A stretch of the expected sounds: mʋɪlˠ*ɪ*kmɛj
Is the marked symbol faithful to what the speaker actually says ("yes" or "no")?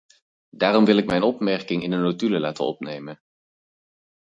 yes